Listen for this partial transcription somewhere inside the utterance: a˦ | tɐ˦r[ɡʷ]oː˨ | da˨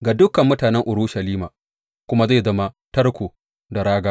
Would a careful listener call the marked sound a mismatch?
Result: yes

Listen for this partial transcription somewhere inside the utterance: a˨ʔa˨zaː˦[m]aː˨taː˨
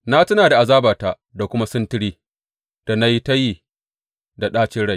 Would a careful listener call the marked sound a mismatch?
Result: yes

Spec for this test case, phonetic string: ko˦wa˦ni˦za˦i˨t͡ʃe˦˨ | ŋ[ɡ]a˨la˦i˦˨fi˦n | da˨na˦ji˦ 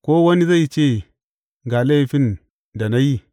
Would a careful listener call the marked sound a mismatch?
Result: no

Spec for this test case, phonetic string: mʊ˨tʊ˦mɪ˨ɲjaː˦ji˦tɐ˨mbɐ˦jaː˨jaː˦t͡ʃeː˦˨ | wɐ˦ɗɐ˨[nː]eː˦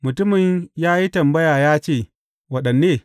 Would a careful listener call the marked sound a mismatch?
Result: no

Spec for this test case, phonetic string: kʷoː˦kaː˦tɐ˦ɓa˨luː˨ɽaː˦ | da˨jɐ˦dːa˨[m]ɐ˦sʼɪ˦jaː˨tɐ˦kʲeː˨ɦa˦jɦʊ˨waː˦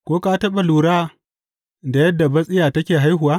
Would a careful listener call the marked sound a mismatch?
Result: yes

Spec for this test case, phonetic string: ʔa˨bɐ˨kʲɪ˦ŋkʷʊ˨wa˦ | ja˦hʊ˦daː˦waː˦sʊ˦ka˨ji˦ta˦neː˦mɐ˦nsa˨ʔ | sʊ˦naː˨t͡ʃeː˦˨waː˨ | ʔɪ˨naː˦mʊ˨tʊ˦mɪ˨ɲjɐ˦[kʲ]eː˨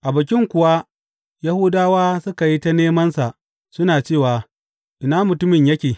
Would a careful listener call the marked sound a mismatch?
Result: no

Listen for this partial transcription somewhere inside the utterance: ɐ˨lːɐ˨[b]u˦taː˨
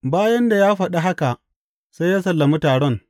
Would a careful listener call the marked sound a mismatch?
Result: yes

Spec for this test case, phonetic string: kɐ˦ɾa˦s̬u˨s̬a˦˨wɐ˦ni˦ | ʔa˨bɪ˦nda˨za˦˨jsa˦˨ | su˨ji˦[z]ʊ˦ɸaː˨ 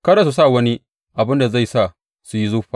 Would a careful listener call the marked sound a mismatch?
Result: no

